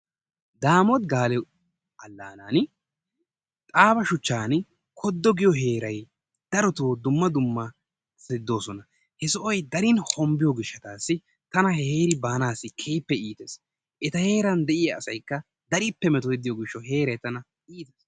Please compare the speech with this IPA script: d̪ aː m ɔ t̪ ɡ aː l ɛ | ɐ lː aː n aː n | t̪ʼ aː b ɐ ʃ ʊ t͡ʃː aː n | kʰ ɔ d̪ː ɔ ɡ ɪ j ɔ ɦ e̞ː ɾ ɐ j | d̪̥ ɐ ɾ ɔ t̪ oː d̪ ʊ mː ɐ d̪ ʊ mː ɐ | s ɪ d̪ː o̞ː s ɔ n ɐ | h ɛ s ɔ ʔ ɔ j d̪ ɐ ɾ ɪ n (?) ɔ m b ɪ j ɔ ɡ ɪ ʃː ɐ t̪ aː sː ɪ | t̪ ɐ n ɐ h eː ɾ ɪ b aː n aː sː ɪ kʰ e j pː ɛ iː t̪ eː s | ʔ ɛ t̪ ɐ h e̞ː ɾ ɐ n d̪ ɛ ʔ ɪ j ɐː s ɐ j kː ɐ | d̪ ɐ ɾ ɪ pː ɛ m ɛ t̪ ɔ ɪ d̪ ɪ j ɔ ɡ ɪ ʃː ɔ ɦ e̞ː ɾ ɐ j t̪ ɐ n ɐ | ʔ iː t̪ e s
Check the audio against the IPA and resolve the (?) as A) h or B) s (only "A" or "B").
A